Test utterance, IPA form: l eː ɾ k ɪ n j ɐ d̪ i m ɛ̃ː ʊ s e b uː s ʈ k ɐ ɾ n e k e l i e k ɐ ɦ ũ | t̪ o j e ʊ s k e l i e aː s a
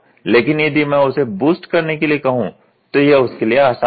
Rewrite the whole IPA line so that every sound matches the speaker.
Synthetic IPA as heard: l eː k ɪ n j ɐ d̪ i m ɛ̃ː ʊ s e b uː s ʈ k ɐ ɾ n e k e l i e k ɐ ɦ ũ | t̪ o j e ʊ s k e l i e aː s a